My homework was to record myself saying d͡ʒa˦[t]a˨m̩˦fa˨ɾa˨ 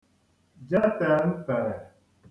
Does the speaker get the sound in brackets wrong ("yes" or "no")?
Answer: no